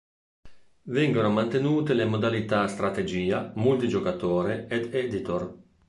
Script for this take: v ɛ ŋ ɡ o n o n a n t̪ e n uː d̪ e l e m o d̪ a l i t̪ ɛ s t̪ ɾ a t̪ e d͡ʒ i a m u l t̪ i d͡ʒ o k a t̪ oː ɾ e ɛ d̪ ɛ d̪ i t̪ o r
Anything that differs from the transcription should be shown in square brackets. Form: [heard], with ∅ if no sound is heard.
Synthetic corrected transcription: v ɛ ŋ ɡ o n o [m] a n t̪ e n uː [t̪] e l e m o d̪ a l i t̪ [a] s t̪ ɾ a t̪ e d͡ʒ [iː] a m u l t̪ i d͡ʒ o k a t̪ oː ɾ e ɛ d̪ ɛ d̪ i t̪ o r

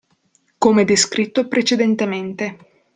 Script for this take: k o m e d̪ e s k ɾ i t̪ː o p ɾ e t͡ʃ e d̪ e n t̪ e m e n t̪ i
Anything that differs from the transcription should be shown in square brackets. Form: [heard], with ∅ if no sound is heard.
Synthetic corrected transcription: k o m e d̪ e s k ɾ i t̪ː o p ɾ e t͡ʃ e d̪ e n t̪ e m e n t̪ [e]

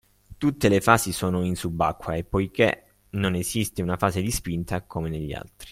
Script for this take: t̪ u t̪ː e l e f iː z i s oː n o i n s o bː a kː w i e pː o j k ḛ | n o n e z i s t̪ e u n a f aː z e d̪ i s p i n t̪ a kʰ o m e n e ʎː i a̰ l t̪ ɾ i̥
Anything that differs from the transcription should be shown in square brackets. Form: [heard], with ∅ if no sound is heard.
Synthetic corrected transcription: t̪ u t̪ː e l e f [aː] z i s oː n o i n s [u] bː a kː w [a] e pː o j k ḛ | n o n e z i s t̪ e u n a f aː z e d̪ i s p i n t̪ a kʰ o m e n e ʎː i a̰ l t̪ ɾ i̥

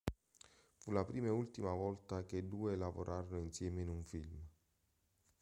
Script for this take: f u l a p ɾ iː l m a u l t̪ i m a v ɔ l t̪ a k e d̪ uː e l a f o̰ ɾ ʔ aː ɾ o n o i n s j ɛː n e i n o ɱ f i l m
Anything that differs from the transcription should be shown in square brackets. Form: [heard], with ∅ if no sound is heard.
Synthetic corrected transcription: f u l a p ɾ iː [∅] m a u l t̪ i m a v ɔ l t̪ a k e d̪ uː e l a [v] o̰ ɾ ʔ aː ɾ o n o i n s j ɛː [m] e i n [u] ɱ f i l m

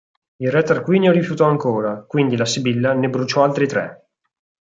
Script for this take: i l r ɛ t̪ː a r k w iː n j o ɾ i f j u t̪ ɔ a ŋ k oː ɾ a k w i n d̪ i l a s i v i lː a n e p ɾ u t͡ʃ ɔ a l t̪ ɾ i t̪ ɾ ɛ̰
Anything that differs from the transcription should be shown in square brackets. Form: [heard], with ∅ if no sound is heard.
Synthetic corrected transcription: i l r ɛ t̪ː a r k w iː n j o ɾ i f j u t̪ ɔ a ŋ k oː ɾ a k w i n d̪ i l a s i [b] i lː a n e [b] ɾ u t͡ʃ ɔ a l t̪ ɾ i t̪ ɾ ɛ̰

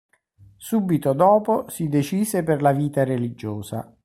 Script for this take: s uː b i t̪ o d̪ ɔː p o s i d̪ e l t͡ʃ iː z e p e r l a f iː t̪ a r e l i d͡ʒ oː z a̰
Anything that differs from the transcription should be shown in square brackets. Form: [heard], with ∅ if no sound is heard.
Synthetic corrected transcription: s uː b i t̪ o d̪ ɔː p o s i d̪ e [∅] t͡ʃ iː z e p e r l a [v] iː t̪ a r e l i d͡ʒ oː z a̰

